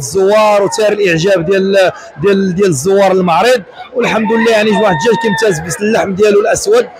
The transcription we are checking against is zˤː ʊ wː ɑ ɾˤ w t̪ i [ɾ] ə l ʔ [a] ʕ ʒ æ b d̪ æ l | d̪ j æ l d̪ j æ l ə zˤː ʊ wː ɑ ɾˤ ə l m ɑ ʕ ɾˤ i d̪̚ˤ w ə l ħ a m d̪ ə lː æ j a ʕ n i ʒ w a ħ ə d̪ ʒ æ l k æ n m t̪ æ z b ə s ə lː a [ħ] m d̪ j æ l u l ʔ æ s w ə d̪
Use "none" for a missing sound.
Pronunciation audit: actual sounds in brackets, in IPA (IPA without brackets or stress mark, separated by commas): ɾ, ə, ħ